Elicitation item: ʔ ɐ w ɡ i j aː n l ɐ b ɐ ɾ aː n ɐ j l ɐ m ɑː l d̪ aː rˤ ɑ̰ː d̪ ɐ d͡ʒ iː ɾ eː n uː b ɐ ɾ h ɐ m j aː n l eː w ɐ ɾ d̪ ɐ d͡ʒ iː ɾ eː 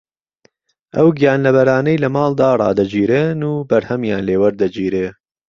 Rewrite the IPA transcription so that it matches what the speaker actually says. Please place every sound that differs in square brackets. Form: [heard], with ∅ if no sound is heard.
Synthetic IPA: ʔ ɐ w ɡ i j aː n l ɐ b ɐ ɾ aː n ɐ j l ɐ m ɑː l d̪ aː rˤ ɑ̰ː d̪ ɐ d͡ʒ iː ɾ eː n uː b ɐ ɾ h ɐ m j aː n l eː w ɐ ɾ d̪ ɐ d͡ʒ iː ɾ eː

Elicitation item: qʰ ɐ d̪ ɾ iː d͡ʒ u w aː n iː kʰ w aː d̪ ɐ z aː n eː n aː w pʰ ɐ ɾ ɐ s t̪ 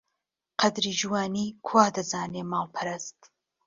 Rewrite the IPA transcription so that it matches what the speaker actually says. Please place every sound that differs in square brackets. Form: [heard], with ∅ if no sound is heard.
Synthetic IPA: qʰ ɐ d̪ ɾ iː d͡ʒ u w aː n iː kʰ w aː d̪ ɐ z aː n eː [m] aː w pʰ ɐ ɾ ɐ s t̪

